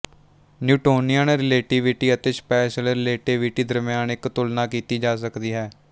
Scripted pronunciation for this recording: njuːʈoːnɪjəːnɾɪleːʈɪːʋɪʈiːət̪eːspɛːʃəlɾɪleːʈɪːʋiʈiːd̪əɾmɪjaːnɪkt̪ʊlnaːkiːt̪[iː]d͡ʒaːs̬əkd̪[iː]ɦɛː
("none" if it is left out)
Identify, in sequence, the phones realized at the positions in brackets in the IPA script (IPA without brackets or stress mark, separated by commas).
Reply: iː, iː